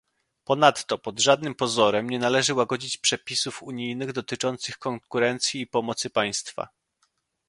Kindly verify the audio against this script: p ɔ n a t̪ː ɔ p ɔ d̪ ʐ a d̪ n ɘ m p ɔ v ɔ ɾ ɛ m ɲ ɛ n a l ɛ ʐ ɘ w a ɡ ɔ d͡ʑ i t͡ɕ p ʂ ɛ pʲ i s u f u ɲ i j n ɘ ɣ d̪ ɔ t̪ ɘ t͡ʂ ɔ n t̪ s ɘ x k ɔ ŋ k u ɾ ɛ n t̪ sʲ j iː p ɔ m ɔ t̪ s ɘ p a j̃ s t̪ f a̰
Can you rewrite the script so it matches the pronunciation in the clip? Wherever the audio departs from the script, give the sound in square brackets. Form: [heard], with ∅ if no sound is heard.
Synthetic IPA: p ɔ n a t̪ː ɔ p ɔ d̪ ʐ a d̪ n ɘ m p ɔ [z] ɔ ɾ ɛ m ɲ ɛ n a l ɛ ʐ ɘ w a ɡ ɔ d͡ʑ i t͡ɕ p ʂ ɛ pʲ i s u f u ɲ i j n ɘ ɣ d̪ ɔ t̪ ɘ t͡ʂ ɔ n t̪ s ɘ x k ɔ ŋ k u ɾ ɛ n t̪ sʲ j iː p ɔ m ɔ t̪ s ɘ p a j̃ s t̪ f a̰